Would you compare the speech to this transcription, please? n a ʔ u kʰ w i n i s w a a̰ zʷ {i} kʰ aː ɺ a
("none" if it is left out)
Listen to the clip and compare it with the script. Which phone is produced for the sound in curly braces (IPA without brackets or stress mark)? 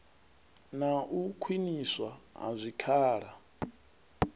i